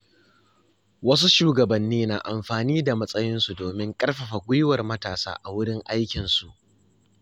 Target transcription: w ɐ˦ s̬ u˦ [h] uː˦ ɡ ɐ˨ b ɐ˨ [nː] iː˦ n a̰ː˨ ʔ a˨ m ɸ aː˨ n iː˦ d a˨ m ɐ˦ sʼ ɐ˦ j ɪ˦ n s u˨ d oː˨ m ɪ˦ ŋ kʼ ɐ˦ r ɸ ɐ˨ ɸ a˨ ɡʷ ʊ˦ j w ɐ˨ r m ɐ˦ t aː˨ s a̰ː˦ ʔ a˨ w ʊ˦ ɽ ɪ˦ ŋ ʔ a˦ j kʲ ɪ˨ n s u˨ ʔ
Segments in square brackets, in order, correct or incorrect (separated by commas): incorrect, correct